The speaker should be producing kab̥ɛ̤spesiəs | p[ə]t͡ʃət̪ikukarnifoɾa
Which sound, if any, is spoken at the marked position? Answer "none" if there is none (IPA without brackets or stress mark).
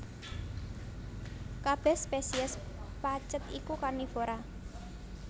a